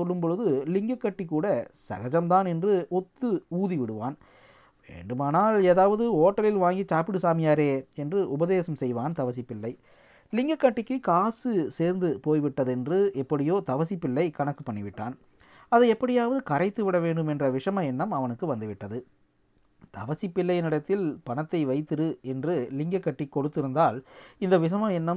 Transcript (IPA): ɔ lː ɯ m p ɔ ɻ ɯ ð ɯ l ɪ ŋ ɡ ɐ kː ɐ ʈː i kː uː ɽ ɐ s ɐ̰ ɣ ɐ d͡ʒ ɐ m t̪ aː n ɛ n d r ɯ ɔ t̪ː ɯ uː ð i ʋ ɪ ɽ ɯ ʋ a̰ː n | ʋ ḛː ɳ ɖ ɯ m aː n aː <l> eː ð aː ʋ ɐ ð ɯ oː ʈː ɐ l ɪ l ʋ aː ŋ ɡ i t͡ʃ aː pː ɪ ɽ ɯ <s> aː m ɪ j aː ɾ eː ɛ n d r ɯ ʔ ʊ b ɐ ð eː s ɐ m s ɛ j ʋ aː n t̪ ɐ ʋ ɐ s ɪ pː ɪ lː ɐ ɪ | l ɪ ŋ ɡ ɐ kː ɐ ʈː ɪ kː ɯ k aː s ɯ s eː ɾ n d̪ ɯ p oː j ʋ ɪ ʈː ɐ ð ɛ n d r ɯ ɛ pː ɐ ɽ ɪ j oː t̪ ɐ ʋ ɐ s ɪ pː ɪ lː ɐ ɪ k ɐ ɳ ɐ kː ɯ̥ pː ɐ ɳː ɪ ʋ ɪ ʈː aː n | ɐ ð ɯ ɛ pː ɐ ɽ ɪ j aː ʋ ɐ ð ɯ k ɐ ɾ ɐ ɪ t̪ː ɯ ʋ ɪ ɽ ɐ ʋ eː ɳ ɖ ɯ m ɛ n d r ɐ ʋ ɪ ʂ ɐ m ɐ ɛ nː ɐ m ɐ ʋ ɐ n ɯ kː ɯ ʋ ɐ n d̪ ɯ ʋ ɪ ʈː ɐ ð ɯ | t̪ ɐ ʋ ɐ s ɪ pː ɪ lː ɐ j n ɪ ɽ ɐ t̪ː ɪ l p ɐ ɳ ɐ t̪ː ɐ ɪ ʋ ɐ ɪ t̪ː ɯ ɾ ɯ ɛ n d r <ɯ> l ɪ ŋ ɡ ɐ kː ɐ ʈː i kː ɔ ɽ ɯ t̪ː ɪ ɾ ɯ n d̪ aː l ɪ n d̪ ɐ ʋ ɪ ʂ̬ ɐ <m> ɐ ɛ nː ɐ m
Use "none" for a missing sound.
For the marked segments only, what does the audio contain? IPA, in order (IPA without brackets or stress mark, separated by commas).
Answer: l, s, ɯ, m